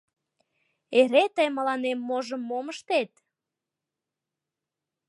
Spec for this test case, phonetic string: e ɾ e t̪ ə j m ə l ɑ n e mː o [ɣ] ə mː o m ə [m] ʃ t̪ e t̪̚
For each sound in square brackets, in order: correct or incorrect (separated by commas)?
incorrect, incorrect